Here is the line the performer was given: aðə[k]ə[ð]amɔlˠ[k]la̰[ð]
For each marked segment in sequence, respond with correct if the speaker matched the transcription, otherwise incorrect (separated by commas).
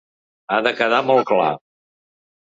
correct, correct, correct, incorrect